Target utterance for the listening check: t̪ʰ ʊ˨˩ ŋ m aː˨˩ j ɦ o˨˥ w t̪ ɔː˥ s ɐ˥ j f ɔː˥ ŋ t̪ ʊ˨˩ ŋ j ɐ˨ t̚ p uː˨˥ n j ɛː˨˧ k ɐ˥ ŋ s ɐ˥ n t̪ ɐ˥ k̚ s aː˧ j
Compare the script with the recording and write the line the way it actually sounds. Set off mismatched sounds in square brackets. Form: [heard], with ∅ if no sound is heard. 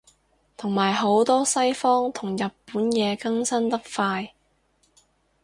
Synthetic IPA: t̪ʰ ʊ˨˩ ŋ m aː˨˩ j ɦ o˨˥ w t̪ ɔː˥ s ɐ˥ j f ɔː˥ ŋ [t̪ʰ] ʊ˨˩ ŋ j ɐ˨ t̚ p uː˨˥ n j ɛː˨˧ k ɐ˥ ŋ s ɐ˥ n t̪ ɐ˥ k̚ [f] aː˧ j